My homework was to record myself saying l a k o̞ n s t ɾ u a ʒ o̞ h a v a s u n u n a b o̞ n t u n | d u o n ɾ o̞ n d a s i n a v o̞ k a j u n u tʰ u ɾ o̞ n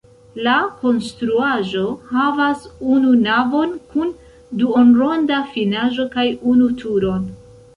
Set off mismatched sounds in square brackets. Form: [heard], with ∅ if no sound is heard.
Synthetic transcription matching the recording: l a k o̞ n s t ɾ u a ʒ o̞ h a v a s u n u n a [v] o̞ n [k] u n | d u o n ɾ o̞ n d a [f] i n a [ʒ] o̞ k a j u n u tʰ u ɾ o̞ n